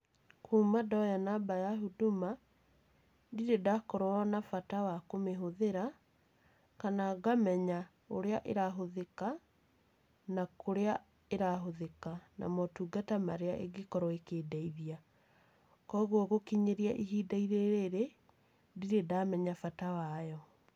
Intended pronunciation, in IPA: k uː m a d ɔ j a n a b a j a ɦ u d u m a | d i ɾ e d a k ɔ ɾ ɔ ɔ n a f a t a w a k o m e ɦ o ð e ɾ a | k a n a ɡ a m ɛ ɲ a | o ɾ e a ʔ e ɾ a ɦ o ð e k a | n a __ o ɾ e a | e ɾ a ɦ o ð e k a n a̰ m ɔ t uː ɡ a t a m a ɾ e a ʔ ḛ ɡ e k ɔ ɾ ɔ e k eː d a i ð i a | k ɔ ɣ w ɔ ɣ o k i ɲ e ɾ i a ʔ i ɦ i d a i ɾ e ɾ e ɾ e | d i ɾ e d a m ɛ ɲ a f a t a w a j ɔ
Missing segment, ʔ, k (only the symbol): k